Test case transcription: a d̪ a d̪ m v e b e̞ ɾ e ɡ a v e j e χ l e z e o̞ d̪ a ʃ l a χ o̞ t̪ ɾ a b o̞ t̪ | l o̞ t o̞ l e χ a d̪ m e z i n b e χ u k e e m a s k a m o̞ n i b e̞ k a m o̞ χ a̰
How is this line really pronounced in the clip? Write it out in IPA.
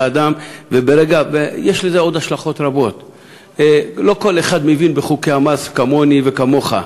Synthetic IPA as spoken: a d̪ a m v e b e̞ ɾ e ɡ a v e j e ʃ l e z e o̞ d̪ a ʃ l a χ o̞ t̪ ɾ a b o̞ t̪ | l o̞ k o̞ l e χ a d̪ m e v i n b e χ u k e a m a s k a m o̞ n i v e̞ k a m o̞ χ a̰

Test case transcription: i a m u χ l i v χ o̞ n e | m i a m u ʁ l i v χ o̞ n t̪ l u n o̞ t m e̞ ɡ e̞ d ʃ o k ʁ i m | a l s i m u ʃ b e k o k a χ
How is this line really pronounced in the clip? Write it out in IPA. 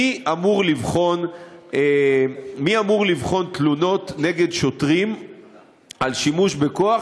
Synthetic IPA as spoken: i a m u ʁ l i v χ o̞ n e | m i a m u ʁ l i v χ o̞ n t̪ l u n o̞ t n e̞ ɡ e̞ d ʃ o t ʁ i m | a l ʃ i m u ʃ b e k o a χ

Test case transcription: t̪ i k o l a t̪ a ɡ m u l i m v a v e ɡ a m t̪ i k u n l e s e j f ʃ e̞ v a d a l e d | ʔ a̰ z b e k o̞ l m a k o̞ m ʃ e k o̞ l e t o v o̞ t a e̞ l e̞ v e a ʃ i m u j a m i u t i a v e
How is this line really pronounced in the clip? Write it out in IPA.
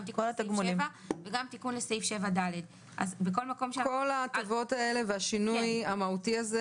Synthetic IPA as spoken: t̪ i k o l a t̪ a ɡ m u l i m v a v e ɡ a m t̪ i k u n l e s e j f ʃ e̞ v a d a l e d | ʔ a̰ z b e k o̞ l m a k o̞ m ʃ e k o̞ l a t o v o̞ t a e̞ l e̞ v e a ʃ i n u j a m a u t i a z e

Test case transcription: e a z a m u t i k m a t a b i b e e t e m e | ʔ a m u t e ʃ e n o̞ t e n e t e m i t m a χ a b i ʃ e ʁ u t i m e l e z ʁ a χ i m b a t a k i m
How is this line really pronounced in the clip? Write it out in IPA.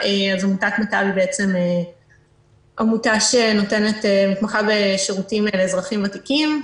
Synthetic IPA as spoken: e a z a m u t a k m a t a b i b e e t͡s e m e | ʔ a m u t a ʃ e n o̞ t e n e t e m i t m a χ a b e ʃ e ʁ u t i m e l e z ʁ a χ i m v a t i k i m

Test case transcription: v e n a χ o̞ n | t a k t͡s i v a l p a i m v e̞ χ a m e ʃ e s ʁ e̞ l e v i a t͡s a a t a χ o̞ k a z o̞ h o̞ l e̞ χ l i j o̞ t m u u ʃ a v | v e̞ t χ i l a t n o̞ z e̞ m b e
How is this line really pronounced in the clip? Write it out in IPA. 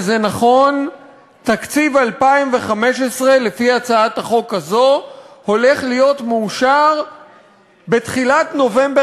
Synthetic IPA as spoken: z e n a χ o̞ n | t a k t͡s i v a l p a i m v e̞ χ a m e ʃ e s ʁ e̞ l e f i a t͡s a a t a χ o̞ k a z o̞ h o̞ l e̞ χ l i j o̞ t m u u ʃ a ʁ | b e̞ t χ i l a t n o̞ v e̞ m b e

